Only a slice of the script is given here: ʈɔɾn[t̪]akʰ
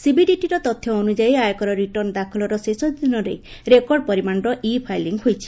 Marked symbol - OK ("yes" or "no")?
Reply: no